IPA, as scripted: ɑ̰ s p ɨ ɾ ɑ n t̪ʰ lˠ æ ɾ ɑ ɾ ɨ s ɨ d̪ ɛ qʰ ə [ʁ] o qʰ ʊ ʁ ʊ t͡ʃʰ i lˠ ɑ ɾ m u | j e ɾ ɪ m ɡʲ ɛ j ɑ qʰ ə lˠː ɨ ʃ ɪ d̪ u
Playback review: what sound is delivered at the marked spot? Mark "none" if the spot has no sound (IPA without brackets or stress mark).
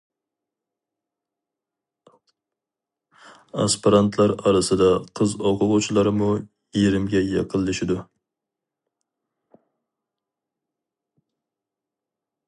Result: z